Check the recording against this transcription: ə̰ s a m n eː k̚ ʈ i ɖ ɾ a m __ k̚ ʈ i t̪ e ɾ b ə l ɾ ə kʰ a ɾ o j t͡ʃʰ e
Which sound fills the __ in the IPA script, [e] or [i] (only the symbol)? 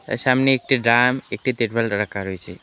e